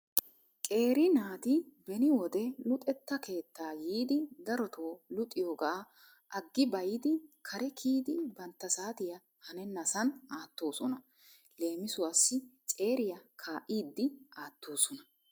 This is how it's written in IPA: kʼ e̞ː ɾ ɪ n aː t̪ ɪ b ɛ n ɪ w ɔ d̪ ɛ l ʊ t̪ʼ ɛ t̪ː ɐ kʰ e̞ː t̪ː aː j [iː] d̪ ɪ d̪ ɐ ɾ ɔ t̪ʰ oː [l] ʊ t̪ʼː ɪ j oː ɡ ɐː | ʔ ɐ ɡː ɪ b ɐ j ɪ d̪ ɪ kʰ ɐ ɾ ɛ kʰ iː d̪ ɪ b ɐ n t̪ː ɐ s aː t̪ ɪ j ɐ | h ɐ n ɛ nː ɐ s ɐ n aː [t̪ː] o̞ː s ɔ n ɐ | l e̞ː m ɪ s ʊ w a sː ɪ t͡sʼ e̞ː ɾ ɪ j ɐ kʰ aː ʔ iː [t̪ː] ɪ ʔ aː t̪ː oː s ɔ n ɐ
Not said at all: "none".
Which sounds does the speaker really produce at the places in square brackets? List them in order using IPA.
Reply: iː, l, t̪ː, d̪ː

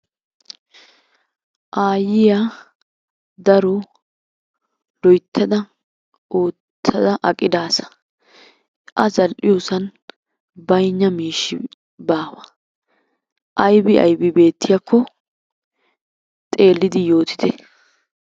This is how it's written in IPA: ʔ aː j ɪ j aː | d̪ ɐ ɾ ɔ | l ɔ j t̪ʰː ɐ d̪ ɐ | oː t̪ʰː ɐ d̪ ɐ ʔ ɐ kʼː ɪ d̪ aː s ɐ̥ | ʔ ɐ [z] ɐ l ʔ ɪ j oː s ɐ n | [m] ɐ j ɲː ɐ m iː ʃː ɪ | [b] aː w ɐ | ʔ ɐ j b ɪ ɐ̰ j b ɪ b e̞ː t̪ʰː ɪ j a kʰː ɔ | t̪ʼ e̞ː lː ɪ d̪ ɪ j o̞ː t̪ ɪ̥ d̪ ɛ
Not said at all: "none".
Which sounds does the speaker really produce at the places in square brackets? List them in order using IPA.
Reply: z, b, b

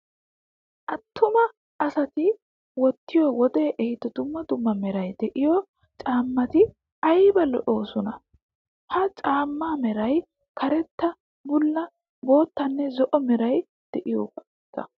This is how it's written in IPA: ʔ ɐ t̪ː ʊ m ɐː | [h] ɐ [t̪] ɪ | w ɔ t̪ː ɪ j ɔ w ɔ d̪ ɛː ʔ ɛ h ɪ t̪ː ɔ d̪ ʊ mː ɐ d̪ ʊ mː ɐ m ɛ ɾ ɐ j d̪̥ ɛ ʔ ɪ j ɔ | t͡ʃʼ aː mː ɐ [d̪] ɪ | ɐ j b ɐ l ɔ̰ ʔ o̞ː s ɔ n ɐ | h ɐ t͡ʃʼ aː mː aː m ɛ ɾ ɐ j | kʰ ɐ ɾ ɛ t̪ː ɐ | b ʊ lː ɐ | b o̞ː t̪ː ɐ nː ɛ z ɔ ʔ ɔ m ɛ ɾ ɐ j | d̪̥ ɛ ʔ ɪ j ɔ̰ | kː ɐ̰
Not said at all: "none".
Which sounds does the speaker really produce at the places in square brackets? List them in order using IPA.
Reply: s, t̪, t̪

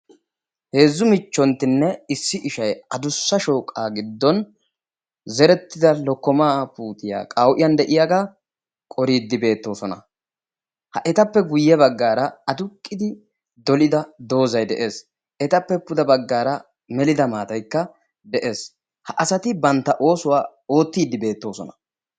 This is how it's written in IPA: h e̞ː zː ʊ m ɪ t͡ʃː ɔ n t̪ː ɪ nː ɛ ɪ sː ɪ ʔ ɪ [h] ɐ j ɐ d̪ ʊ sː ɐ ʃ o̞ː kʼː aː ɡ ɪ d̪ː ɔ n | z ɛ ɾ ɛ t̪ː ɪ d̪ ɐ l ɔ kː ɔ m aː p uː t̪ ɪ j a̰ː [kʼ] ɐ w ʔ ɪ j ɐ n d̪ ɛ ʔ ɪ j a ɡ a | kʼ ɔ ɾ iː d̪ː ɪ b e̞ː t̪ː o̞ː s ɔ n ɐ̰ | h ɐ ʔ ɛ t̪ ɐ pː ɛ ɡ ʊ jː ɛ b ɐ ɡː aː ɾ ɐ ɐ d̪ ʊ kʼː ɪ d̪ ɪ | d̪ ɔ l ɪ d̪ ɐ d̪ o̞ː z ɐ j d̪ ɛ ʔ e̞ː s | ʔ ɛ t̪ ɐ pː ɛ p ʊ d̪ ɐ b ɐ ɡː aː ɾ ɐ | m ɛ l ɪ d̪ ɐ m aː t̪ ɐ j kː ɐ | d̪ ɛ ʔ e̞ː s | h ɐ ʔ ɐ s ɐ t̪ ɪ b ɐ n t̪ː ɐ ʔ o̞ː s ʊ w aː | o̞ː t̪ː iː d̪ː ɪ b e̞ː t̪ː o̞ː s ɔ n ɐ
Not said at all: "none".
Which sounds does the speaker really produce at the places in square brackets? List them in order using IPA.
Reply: ʃ, kʼ

